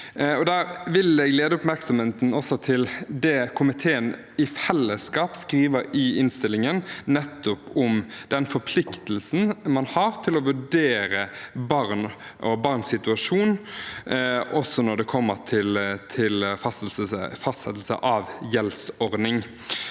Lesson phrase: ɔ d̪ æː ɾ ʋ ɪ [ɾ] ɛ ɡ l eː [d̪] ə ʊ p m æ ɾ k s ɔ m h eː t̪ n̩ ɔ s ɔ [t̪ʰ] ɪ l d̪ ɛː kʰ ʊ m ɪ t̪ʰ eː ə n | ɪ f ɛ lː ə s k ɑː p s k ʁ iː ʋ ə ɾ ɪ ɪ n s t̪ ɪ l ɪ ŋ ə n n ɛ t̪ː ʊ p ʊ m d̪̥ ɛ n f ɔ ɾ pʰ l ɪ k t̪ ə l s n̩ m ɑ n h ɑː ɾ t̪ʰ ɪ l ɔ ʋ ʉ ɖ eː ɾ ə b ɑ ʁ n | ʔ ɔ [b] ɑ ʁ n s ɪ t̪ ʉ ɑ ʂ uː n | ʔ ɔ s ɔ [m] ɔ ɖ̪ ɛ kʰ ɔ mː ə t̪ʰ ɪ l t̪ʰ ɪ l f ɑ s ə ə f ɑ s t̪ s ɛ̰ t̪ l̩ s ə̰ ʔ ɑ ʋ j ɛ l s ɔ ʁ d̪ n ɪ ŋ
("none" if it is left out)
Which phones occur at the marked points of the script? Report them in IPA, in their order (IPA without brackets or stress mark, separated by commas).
l, d̪, t̪ʰ, b, n